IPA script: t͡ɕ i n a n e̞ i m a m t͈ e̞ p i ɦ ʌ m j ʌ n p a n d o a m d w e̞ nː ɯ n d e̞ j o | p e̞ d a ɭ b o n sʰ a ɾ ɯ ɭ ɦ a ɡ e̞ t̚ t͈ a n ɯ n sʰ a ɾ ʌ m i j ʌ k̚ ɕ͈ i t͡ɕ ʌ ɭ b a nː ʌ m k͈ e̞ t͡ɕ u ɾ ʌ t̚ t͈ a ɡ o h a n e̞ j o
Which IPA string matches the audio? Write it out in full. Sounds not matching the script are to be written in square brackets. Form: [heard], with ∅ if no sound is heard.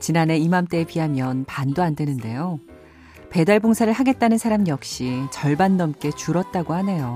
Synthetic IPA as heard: t͡ɕ i n a n e̞ i m a m t͈ e̞ p i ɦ [a] m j ʌ n p a n d o a [n] d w e̞ [n] ɯ n d e̞ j o | p e̞ d a ɭ b o [ŋ] sʰ a ɾ ɯ ɭ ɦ a ɡ e̞ t̚ t͈ a n ɯ n sʰ a ɾ [a] m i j ʌ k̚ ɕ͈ i t͡ɕ ʌ ɭ b a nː ʌ m k͈ e̞ t͡ɕ u ɾ ʌ t̚ t͈ a ɡ o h a n e̞ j o